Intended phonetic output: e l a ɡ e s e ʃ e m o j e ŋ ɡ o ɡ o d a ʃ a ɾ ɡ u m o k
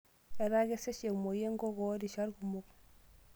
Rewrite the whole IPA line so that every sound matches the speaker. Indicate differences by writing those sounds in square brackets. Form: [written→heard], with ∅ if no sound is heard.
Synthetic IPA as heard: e [l→ɾ] a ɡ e s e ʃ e m o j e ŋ ɡ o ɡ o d [a→i] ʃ a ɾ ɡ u m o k